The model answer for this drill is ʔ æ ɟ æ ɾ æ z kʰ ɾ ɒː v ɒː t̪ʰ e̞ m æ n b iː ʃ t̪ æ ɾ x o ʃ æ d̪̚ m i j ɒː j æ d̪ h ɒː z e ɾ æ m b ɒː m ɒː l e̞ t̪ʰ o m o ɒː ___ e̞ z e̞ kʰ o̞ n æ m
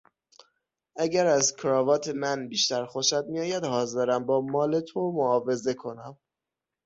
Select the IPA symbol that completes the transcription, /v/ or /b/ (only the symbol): v